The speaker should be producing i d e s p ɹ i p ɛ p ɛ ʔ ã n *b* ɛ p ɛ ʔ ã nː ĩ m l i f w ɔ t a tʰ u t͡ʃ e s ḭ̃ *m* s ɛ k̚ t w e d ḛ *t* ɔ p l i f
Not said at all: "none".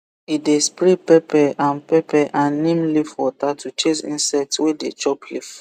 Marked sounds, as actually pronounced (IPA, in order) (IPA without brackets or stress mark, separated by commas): p, n, t͡ʃ